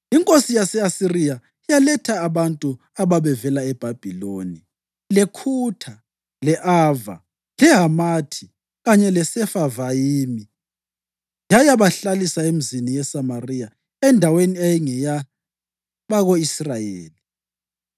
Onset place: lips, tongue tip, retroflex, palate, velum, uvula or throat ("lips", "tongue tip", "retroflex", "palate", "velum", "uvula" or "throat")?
velum